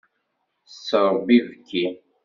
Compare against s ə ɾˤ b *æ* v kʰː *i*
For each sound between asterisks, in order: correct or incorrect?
incorrect: i, correct

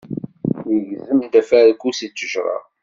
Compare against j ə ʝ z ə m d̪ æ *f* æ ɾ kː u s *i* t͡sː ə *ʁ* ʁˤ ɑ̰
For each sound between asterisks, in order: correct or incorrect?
correct, correct, incorrect: ʒ

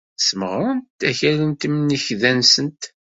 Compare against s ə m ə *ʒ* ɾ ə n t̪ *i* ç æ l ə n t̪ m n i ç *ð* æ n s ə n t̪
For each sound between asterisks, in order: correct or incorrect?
incorrect: ʁ, incorrect: æ, correct

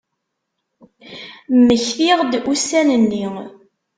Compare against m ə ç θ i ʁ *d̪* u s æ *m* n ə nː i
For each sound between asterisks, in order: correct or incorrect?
correct, incorrect: none

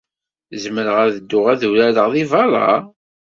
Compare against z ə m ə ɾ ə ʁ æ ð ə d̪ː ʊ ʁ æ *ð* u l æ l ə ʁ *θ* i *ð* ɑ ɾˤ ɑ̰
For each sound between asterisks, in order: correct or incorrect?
correct, incorrect: ð, incorrect: v

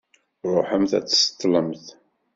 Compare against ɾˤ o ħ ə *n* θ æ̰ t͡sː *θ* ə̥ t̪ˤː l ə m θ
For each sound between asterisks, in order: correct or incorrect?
incorrect: m, incorrect: s

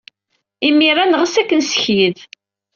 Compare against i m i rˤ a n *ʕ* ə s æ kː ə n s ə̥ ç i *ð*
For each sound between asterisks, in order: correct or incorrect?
incorrect: ʁ, correct

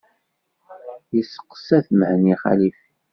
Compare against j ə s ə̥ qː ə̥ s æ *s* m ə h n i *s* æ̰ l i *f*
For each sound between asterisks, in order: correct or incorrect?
incorrect: θ, incorrect: χ, correct

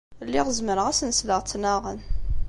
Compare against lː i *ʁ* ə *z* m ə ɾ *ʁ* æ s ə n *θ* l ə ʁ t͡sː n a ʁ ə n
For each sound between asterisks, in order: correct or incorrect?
correct, correct, correct, incorrect: s

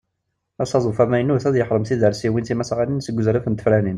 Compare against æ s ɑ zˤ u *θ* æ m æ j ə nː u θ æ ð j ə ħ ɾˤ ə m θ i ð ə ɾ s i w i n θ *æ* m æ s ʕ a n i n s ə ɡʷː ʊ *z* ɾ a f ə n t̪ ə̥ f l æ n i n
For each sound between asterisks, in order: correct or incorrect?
incorrect: f, incorrect: i, correct

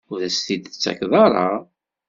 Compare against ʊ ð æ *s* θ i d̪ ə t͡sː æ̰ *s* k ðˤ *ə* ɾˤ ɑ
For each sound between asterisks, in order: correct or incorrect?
correct, incorrect: none, incorrect: ɑ

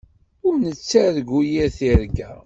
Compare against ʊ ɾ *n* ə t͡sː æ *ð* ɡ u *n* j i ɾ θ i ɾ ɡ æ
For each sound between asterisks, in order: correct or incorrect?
correct, correct, incorrect: none

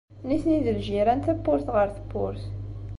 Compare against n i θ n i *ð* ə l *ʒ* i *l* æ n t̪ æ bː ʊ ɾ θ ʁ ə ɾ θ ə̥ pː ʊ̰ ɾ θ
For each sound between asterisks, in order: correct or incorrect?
correct, correct, incorrect: ɾ

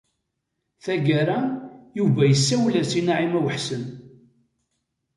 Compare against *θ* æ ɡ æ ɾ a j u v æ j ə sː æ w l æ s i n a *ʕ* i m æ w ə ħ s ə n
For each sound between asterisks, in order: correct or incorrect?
correct, correct

